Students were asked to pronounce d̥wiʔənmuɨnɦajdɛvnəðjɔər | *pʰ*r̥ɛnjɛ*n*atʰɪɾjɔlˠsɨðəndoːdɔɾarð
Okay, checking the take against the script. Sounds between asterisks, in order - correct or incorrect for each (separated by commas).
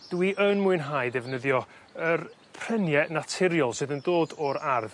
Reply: correct, correct